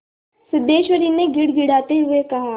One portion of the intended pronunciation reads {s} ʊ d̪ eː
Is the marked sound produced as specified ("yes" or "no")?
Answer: yes